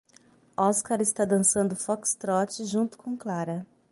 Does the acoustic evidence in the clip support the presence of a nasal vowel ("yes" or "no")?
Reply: yes